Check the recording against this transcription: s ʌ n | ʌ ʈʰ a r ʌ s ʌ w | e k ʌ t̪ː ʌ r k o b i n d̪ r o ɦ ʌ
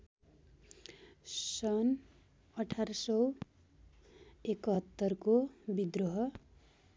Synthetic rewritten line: s ʌ n | ʌ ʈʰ a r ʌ s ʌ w | e k ʌ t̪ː ʌ r k o b i d̪ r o ɦ ʌ